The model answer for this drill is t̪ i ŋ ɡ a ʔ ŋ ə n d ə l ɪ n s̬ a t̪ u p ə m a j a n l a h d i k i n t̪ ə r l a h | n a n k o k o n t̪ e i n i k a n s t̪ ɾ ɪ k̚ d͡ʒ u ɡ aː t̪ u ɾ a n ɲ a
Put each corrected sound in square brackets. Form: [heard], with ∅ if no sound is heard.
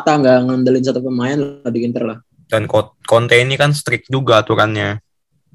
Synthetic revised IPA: t̪ [a] ŋ ɡ a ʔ ŋ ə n d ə l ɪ n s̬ a t̪ u p ə m a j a n l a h d i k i n t̪ ə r l a h | [d] a n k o k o n t̪ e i n i k a n s t̪ ɾ ɪ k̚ d͡ʒ u ɡ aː t̪ u ɾ a n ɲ a